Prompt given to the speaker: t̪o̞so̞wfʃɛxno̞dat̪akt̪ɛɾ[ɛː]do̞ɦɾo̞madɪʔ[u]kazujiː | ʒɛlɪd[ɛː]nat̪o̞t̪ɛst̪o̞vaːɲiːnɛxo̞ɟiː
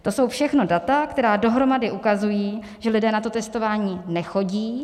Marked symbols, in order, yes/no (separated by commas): no, yes, yes